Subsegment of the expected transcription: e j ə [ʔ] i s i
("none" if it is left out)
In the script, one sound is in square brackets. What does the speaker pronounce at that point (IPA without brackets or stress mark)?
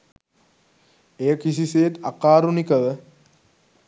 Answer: k